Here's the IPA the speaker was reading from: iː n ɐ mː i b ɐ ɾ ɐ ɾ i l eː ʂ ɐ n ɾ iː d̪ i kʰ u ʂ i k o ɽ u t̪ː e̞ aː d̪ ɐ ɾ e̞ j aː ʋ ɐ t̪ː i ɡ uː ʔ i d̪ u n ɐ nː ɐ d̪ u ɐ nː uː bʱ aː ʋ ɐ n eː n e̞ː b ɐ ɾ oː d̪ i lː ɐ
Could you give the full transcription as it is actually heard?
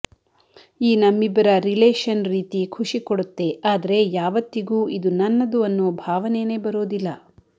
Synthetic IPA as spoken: iː n ɐ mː i b ɐ ɾ ɐ ɾ i l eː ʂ ɐ n ɾ iː t̪ i kʰ u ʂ i k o ɽ u t̪ː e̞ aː d̪ ɐ ɾ e̞ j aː ʋ ɐ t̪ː i ɡ uː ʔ i d̪ u n ɐ nː ɐ d̪ u ɐ nː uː bʱ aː ʋ ɐ n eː n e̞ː b ɐ ɾ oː d̪ i lː ɐ